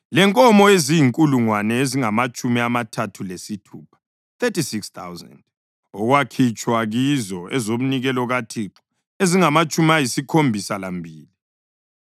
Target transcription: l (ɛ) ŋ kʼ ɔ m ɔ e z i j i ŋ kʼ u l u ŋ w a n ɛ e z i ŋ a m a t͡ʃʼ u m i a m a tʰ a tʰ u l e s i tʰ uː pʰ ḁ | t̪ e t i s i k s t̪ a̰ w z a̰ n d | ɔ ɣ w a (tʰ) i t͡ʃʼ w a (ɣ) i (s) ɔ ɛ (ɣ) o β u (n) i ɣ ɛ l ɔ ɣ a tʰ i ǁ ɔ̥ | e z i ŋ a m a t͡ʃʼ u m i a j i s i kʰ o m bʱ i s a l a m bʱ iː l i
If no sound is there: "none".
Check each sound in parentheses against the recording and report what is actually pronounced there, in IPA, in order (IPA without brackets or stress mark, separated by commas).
ɛ, kʰ, ɣ, z, z, n